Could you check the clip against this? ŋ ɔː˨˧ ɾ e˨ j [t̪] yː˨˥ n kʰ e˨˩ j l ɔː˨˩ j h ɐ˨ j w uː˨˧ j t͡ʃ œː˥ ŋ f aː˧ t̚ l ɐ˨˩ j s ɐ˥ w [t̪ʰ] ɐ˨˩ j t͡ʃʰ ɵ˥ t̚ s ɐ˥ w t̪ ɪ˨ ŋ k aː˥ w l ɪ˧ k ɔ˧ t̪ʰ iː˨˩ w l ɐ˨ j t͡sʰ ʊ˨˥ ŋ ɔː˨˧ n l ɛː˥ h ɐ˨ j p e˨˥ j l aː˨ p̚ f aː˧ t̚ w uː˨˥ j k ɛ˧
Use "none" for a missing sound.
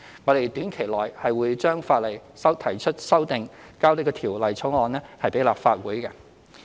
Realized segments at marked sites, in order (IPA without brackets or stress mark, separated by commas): t̪, t̪ʰ